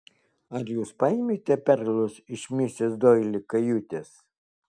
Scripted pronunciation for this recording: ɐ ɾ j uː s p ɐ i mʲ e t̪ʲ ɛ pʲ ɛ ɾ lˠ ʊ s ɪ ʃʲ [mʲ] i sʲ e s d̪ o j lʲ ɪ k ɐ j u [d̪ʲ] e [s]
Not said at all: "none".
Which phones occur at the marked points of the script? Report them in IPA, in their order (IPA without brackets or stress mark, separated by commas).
mʲ, t̪ʲ, s